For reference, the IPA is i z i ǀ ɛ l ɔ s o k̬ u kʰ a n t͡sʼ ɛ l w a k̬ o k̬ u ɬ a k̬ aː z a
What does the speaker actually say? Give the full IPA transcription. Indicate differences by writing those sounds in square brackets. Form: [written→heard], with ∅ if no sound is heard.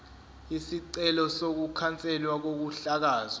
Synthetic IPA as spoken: i [z→s] i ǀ ɛ l ɔ s o k̬ u kʰ a n t͡sʼ ɛ l w a k̬ o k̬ u ɬ a k̬ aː z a

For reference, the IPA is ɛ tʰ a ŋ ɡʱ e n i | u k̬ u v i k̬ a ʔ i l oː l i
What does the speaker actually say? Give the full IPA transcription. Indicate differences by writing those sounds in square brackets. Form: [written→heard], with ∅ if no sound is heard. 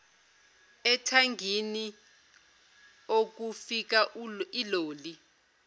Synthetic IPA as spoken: ɛ tʰ a ŋ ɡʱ [e→i] n i | [u→o] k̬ u [v→f] i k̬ a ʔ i l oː l i

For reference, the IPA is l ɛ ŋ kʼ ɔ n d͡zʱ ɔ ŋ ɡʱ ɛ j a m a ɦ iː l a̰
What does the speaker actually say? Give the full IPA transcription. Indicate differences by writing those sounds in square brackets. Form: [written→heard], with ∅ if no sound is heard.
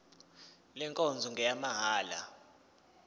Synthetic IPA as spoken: l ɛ ŋ kʼ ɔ n d͡zʱ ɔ ŋ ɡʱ ɛ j a m a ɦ [iː→aː] l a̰

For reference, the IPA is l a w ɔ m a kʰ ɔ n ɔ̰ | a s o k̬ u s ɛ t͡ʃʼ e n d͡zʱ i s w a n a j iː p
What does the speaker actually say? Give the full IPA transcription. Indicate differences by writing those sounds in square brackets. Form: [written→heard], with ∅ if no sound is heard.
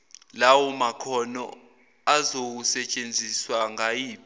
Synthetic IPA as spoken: l a w ɔ m a kʰ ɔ n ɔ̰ | a [s→z] o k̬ u s ɛ t͡ʃʼ e n d͡zʱ i s w a [n→ŋ] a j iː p

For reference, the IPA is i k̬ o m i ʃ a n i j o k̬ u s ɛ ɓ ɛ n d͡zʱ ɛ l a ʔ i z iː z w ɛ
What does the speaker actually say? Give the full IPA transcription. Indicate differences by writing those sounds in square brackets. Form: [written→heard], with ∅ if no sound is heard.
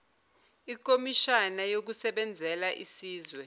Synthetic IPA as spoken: i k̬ o m i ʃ a n [i→a] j o k̬ u s ɛ ɓ ɛ n d͡zʱ ɛ l a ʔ i [z→s] iː z w ɛ

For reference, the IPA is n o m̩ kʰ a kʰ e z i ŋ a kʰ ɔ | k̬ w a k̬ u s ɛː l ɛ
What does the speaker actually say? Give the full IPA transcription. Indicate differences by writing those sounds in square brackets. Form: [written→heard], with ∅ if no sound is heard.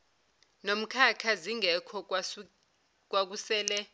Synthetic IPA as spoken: n o m̩ kʰ a kʰ [e→a] z i ŋ [a→ɛ] kʰ ɔ | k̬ w a k̬ u s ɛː l ɛ

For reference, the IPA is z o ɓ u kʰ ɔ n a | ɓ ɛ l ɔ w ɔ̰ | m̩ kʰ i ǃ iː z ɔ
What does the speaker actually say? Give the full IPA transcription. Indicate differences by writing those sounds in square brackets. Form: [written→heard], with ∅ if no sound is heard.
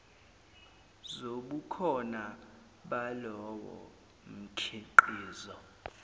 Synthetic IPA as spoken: z o ɓ u kʰ ɔ n a | ɓ [ɛ→a] l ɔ w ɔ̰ | m̩ kʰ i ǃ iː z ɔ

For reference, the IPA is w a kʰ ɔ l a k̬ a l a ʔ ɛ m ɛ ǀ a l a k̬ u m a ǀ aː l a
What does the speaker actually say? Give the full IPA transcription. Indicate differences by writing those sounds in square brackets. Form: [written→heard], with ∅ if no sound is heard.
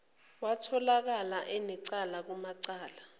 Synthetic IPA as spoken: w a [kʰ→tʰ] ɔ l a k̬ a l a ʔ ɛ [m→n] ɛ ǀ a l a k̬ u m a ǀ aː l a

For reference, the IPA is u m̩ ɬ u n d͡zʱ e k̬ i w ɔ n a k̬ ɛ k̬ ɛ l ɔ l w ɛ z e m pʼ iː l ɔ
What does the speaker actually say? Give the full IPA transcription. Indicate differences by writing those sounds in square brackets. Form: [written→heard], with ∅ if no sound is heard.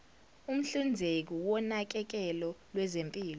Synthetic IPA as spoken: u m̩ ɬ u n d͡zʱ e k̬ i w ɔ n a k̬ ɛ k̬ ɛ l ɔ l w ɛ z e m pʼ iː l ɔ

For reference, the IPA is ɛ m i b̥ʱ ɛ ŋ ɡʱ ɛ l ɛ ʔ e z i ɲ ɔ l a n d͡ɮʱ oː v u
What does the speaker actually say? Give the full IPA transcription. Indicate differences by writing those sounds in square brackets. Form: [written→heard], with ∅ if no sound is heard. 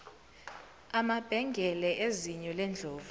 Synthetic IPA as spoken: [ɛ→a] m [i→a] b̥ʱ ɛ ŋ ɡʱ ɛ l ɛ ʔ e z i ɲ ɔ l [a→ɛ] n d͡ɮʱ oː v u

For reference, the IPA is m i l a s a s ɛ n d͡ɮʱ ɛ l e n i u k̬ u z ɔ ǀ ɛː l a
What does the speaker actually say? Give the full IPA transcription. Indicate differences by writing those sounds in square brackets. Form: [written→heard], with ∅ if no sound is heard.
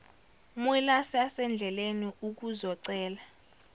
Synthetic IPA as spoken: m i l a s a s ɛ n d͡ɮʱ ɛ l e n i u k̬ u z ɔ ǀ ɛː l a

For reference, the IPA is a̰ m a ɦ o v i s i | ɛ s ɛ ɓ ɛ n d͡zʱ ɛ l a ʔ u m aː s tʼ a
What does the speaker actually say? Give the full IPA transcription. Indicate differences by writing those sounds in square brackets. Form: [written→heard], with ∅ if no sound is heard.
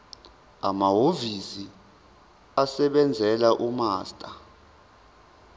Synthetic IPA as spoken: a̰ m a ɦ o v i s i | [ɛ→a] s ɛ ɓ ɛ n d͡zʱ ɛ l a ʔ u m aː s tʼ a

